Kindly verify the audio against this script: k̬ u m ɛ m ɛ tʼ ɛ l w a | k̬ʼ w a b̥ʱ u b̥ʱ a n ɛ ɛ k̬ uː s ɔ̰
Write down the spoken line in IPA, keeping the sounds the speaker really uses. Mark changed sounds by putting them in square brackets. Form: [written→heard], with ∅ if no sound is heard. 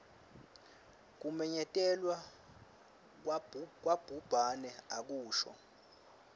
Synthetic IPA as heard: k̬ u m ɛ [m→ɲ] ɛ tʼ ɛ l w a | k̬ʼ w a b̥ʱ u b̥ʱ a n ɛ [ɛ→a] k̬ uː [s→ʃ] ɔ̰